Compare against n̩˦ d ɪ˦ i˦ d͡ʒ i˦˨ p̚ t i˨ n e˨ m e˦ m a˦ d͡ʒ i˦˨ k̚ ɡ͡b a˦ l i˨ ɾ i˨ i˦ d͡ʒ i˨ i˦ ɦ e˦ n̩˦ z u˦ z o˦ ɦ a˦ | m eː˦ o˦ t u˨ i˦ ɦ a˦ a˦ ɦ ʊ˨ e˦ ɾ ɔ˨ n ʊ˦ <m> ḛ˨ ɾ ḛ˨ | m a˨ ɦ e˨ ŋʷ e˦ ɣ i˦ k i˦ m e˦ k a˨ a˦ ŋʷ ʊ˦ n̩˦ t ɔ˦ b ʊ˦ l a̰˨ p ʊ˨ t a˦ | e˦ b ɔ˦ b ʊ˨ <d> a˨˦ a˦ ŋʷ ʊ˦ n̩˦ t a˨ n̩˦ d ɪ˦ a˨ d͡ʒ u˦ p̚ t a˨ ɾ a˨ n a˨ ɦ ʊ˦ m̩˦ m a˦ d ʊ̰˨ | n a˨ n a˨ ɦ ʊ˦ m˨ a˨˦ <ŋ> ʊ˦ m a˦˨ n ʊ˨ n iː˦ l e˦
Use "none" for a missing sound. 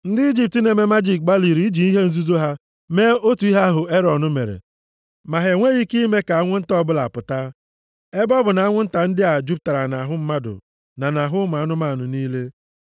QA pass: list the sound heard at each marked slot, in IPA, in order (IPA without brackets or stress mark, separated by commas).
m, n, n